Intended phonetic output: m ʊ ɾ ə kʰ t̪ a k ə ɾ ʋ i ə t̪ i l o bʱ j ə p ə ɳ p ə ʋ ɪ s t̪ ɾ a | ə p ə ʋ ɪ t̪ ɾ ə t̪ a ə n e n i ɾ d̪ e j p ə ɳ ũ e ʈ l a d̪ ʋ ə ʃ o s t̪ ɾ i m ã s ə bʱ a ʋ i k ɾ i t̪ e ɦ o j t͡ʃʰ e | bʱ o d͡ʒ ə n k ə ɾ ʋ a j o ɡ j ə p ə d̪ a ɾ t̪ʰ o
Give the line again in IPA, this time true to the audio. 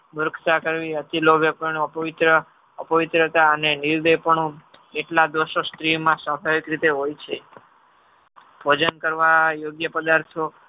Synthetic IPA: m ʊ ɾ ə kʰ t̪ a k ə ɾ ʋ i ə t̪ i l o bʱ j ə p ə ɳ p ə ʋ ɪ t̪ ɾ ə | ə p ə ʋ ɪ t̪ ɾ ə t̪ a ə n e n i ɾ d̪ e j p ə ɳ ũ e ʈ l a d̪ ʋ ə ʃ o s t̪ ɾ i m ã s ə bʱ a ʋ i k ɾ i t̪ e ɦ o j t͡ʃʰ e | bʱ o d͡ʒ ə n k ə ɾ ʋ a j o ɡ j ə p ə d̪ a ɾ t̪ʰ o